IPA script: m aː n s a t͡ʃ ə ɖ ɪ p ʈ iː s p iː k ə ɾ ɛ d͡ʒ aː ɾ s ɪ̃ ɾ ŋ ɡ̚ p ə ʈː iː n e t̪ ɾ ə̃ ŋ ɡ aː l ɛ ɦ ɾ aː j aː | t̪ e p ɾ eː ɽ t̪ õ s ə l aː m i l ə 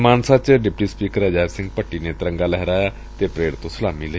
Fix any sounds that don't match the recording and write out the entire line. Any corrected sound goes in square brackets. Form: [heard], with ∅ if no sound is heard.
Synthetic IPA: m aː n s a t͡ʃ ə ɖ ɪ p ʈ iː s p iː k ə ɾ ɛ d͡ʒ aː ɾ s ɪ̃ [∅] ŋ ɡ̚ p ə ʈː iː n e t̪ ɾ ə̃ ŋ ɡ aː l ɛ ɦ ɾ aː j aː | t̪ e p ɾ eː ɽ t̪ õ s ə l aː m i l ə